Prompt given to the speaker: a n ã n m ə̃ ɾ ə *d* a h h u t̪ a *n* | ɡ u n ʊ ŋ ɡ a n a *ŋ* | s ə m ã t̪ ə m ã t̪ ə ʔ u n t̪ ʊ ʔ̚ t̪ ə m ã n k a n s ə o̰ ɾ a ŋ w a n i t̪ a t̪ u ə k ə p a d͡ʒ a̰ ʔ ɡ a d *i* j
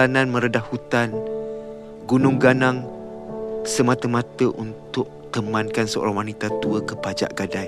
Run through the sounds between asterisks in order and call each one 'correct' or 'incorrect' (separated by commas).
correct, correct, correct, incorrect